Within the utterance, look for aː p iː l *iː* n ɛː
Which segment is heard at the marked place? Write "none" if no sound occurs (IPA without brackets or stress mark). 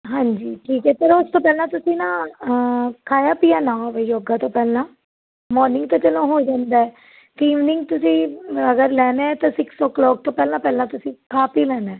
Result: ɛː